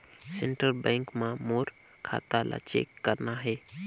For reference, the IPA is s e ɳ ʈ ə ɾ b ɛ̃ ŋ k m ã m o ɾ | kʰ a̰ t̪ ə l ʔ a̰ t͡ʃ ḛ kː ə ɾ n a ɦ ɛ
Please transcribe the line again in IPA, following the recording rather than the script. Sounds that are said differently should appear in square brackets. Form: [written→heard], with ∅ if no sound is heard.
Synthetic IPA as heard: s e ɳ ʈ ə ɾ b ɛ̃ ŋ k m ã m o ɾ | kʰ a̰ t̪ [ə→a] l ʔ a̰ t͡ʃ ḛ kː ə ɾ n a ɦ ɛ